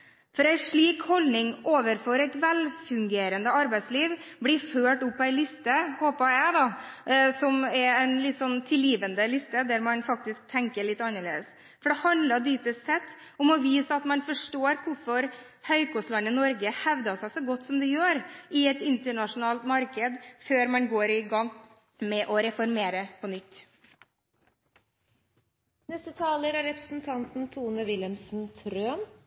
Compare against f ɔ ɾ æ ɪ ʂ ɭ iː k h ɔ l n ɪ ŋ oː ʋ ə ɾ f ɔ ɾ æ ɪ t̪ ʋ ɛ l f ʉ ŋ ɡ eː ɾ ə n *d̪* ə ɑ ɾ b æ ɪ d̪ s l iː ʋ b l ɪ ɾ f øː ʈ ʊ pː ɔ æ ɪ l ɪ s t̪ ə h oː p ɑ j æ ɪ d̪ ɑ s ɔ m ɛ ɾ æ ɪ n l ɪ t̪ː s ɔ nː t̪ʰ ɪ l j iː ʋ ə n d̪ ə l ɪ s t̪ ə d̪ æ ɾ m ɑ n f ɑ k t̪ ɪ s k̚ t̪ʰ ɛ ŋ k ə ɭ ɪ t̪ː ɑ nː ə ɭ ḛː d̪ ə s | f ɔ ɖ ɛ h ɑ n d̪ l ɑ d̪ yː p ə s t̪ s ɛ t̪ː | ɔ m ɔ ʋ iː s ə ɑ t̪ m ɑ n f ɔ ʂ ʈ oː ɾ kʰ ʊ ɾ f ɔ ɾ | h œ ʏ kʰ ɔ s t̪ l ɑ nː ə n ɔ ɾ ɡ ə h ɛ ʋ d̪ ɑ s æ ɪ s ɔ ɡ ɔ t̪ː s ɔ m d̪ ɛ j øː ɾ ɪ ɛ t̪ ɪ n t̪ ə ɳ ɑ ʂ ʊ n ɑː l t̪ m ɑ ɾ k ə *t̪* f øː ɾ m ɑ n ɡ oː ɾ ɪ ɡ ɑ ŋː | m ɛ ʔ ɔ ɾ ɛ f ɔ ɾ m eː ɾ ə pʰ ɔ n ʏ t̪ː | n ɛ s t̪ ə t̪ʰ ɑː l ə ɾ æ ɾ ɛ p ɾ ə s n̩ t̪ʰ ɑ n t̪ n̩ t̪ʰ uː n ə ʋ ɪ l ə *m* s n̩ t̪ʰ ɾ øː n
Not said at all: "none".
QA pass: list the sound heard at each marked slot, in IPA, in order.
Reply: d̪, d̪, m

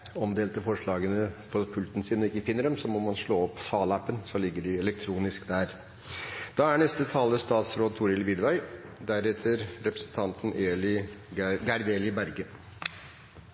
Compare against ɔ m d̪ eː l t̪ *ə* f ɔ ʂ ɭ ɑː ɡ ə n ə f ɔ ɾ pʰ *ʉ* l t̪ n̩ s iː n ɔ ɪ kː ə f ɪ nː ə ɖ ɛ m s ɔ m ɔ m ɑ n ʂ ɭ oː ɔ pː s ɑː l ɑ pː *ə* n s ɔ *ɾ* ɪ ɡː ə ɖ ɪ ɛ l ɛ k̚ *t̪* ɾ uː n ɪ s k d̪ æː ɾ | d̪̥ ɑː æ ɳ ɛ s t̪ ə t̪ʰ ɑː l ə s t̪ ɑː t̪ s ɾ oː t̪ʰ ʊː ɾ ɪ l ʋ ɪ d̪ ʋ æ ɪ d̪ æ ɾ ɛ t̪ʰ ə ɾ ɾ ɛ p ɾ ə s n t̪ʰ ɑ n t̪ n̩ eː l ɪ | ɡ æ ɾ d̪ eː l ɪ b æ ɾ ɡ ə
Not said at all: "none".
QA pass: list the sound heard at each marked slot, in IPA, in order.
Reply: ə, ʉ, ə, l, t̪ʰ

